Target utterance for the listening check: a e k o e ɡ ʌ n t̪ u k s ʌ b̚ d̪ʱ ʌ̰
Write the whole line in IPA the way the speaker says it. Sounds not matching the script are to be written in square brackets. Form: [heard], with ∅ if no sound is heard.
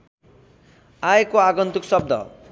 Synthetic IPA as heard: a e k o [a] ɡ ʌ n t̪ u k s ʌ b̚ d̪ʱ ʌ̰